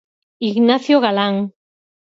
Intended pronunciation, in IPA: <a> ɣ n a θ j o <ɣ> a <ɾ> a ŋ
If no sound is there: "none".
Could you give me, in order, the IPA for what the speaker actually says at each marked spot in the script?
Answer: i, ɣ, l

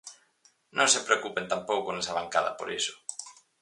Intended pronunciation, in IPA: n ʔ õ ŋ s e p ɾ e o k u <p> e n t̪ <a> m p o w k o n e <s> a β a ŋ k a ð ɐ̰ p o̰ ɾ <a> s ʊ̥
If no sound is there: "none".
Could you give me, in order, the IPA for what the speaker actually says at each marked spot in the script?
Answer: p, a, s, i

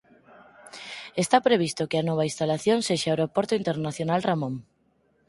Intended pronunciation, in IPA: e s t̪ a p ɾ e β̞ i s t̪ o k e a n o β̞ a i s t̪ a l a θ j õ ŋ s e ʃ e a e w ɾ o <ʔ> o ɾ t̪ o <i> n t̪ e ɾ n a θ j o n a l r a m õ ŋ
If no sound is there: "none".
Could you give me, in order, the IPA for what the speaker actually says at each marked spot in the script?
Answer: p, i

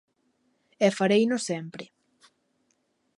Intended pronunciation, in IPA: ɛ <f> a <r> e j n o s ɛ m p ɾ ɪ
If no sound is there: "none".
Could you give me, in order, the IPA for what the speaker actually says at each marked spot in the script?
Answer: f, ɾ

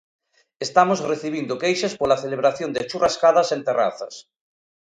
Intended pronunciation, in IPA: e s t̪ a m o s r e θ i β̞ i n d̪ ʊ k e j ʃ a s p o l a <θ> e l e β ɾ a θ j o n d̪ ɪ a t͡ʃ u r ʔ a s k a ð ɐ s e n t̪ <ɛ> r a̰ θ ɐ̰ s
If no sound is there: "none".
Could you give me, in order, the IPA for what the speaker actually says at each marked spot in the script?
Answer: θ, e

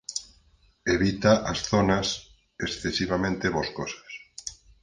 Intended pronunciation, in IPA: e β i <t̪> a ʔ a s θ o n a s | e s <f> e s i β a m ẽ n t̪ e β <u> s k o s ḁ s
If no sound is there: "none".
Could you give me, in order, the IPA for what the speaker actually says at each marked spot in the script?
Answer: t̪, θ, o

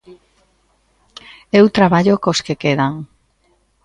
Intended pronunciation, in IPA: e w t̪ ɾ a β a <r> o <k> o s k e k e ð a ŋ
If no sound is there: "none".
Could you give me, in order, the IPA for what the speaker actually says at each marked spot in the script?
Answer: ʎ, k

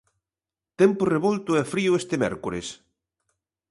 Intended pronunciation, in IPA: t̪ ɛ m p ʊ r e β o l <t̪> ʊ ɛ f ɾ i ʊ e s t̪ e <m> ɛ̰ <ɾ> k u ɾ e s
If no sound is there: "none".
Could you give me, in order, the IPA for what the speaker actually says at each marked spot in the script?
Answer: t̪, m, ɾ

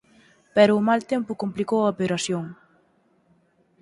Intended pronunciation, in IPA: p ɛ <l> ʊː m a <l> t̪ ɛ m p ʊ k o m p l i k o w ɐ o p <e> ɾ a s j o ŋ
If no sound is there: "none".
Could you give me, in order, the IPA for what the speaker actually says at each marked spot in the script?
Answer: ɾ, l, e

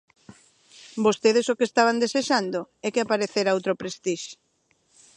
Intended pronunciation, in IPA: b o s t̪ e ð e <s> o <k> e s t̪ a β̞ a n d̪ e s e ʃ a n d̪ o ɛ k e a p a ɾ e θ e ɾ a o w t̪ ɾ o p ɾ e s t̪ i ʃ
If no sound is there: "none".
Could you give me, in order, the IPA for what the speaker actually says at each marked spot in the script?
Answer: s, k

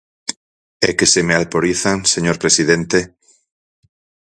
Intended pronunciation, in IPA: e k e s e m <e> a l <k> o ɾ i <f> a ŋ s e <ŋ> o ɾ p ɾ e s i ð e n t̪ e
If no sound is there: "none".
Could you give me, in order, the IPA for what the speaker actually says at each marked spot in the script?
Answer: e, p, θ, ɲ

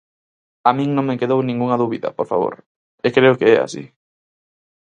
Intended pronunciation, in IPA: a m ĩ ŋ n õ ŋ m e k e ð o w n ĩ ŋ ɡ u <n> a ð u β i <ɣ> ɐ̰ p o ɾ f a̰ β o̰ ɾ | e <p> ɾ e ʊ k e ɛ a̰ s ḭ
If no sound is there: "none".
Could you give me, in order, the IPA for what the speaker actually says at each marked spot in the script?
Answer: ŋ, ð, k

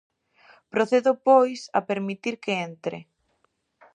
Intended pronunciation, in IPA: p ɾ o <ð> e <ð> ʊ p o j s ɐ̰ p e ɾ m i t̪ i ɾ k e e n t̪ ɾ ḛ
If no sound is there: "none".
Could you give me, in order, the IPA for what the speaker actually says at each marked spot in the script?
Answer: θ, ð

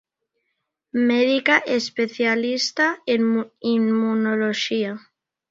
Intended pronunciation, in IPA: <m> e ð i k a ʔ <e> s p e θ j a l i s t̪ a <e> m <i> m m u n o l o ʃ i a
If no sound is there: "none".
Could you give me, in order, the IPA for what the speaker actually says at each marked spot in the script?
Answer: m, e, e, i

